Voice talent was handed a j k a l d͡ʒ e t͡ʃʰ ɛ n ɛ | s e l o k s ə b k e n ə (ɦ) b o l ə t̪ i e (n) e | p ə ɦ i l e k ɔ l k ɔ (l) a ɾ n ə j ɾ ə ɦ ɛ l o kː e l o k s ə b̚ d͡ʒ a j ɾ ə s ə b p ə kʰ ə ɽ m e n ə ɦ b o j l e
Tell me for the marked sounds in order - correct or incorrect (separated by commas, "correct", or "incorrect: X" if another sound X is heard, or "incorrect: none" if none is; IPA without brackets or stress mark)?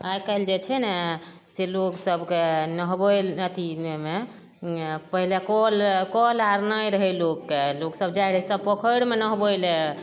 correct, incorrect: m, correct